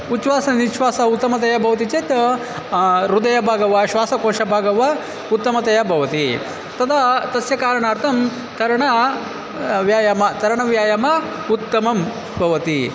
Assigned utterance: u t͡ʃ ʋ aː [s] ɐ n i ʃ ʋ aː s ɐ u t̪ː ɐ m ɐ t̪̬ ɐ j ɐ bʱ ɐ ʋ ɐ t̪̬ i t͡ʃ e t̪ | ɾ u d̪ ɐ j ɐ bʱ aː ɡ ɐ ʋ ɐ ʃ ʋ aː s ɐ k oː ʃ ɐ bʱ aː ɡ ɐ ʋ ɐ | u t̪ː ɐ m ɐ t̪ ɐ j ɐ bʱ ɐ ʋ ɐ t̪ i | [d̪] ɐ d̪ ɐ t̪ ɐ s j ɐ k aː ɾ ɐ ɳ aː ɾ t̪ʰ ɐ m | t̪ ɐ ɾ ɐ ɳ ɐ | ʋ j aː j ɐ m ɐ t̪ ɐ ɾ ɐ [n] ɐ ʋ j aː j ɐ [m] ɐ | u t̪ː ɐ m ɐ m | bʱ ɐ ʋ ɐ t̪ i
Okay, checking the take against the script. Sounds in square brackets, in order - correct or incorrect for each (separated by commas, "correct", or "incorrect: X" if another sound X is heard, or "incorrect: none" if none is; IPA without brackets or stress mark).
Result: correct, incorrect: t̪, incorrect: ɳ, correct